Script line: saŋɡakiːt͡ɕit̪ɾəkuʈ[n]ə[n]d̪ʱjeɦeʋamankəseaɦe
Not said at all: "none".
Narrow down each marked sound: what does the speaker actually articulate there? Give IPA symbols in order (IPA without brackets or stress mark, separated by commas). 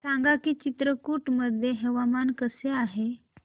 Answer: m, none